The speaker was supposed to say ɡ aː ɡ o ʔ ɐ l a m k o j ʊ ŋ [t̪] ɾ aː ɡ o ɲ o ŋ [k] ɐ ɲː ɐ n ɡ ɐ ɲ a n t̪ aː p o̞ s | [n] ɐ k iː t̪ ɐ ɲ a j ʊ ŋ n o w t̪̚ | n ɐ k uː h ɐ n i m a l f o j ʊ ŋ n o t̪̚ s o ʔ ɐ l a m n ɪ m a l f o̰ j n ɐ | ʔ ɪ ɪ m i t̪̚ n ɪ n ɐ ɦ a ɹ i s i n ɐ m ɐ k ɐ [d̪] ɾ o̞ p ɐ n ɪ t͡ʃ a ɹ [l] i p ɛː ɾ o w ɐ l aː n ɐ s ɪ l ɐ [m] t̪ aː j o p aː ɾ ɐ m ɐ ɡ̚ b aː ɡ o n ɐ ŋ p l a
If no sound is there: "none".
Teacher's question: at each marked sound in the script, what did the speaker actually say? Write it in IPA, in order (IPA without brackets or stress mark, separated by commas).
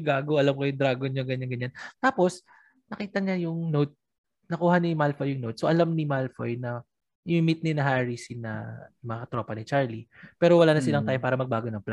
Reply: d̪, ɡ, n, t̪, l, ŋ